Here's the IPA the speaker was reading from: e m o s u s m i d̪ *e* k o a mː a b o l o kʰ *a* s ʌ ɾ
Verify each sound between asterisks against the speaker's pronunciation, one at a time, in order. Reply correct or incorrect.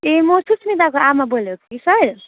incorrect: a, incorrect: i

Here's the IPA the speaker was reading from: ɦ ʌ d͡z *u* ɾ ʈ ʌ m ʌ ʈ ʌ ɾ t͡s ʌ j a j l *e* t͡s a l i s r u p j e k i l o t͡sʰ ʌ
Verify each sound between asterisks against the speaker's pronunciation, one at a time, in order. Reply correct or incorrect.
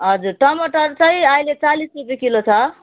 correct, correct

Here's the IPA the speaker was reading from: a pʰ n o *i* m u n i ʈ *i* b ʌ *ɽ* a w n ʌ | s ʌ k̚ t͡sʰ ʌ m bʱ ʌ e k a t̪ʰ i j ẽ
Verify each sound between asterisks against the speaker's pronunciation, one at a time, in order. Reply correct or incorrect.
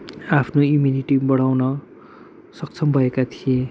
correct, correct, correct

